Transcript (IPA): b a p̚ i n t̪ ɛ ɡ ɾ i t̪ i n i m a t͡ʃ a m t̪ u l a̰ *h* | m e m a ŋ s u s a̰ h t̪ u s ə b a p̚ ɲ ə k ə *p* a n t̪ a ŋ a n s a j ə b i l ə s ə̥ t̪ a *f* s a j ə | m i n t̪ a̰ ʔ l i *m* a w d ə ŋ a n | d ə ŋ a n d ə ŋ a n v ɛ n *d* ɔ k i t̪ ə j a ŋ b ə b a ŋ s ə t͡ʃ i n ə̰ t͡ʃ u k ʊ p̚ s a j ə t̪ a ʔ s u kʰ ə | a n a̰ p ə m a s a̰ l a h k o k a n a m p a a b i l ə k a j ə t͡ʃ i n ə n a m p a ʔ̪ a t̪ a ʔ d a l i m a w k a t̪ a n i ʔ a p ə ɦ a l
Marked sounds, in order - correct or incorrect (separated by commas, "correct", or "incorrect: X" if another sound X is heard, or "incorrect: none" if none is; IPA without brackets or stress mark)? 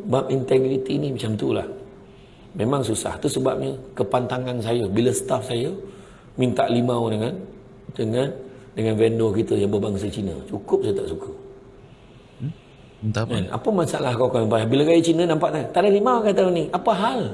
correct, correct, correct, correct, correct